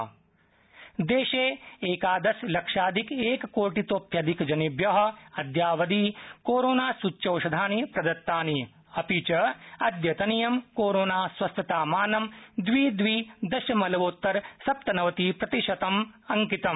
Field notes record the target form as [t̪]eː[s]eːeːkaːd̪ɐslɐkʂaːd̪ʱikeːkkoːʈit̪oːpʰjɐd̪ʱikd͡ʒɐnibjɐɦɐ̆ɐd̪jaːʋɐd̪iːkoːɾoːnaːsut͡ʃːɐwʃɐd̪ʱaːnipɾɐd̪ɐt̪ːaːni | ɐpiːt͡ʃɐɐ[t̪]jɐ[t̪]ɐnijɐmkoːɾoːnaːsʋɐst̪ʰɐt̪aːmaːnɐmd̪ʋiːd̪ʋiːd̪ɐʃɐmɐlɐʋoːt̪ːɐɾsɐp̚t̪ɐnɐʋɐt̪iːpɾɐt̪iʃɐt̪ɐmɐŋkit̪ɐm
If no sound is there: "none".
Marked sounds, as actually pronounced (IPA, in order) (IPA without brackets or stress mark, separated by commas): d̪, ʃ, d̪, t̪